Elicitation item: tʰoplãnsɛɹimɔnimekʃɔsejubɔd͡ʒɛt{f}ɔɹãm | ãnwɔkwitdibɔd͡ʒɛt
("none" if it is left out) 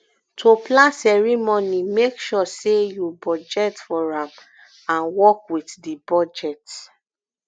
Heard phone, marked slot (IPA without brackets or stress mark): f